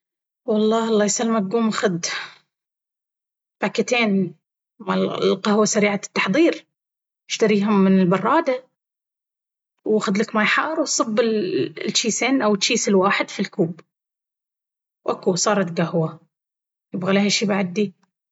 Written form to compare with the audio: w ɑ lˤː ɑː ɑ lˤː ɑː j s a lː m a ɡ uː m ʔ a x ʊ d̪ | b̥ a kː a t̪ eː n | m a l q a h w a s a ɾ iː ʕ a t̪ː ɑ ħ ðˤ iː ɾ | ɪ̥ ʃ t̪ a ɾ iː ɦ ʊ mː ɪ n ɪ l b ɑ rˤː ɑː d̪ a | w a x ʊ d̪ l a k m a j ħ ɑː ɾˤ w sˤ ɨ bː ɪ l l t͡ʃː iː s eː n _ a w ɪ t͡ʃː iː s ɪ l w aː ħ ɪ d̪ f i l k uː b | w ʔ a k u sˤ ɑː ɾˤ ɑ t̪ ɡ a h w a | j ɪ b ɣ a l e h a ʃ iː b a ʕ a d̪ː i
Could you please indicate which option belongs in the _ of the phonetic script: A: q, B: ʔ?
B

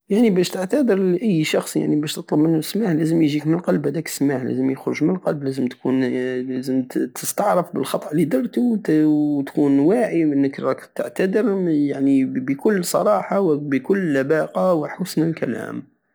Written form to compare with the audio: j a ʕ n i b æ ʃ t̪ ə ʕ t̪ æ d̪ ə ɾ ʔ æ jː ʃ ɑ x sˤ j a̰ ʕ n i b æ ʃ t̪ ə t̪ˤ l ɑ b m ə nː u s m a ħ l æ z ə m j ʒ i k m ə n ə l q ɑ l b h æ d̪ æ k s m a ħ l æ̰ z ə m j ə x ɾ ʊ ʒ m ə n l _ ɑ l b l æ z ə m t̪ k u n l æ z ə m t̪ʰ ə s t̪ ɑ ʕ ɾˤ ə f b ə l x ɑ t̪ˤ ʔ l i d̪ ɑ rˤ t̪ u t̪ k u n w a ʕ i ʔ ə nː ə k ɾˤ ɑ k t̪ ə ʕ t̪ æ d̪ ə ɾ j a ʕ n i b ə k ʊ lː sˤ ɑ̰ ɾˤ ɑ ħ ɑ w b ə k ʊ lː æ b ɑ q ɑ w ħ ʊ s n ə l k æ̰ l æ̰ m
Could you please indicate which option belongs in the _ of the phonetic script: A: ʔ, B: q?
B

